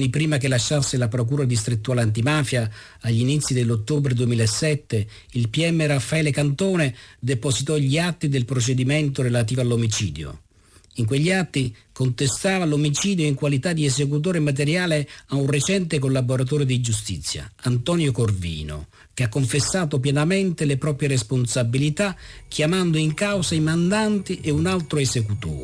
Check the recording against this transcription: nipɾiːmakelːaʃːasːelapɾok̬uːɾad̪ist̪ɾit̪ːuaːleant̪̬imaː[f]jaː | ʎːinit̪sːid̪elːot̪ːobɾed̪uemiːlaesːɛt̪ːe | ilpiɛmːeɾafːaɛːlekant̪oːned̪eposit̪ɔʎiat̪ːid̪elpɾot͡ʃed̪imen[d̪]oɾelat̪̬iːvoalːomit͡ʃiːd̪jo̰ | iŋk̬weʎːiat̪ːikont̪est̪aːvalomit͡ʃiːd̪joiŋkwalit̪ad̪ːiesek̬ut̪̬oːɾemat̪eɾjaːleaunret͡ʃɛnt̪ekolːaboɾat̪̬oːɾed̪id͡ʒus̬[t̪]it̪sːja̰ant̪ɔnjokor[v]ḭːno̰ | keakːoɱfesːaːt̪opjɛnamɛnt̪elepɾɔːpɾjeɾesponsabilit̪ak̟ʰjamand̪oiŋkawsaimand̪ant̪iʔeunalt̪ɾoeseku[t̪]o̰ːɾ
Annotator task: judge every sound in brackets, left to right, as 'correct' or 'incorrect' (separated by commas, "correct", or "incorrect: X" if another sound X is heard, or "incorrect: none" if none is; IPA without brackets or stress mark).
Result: correct, incorrect: t̪, correct, correct, correct